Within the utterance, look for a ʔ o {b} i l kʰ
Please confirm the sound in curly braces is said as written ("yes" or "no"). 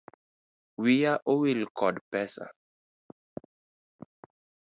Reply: no